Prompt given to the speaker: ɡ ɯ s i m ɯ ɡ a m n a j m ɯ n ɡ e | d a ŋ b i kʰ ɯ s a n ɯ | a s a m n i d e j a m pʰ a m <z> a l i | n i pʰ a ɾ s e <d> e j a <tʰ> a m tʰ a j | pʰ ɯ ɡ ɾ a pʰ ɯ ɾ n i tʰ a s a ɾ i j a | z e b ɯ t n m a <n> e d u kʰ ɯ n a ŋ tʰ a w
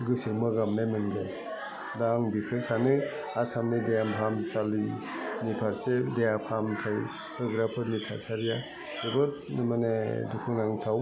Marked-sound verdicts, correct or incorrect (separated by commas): incorrect, correct, incorrect, correct